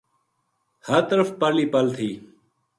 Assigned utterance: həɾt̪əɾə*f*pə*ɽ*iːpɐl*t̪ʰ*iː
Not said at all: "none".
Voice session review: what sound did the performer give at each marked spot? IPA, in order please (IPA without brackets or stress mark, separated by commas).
f, l, t̪ʰ